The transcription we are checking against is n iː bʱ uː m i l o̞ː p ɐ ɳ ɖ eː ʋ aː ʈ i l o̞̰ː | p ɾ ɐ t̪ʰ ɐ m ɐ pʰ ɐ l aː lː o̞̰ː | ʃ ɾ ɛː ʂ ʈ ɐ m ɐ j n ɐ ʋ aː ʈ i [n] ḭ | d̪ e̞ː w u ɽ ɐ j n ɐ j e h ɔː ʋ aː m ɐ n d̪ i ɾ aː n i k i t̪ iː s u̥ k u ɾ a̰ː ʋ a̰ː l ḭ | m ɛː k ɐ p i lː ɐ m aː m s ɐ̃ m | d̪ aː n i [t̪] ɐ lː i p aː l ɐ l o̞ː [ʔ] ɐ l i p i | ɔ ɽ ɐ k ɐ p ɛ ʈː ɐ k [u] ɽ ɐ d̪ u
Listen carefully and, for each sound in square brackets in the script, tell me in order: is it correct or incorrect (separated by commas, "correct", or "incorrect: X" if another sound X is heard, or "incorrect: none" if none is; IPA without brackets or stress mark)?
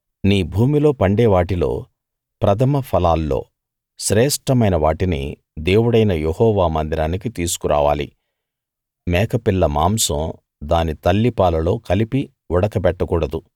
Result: correct, correct, incorrect: k, incorrect: uː